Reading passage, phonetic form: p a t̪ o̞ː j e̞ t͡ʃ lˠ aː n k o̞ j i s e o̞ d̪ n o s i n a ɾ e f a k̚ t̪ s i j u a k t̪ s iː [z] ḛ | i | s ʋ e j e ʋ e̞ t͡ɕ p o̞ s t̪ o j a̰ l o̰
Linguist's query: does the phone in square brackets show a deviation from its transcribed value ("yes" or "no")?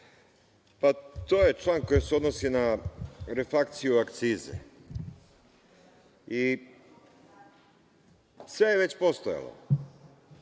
no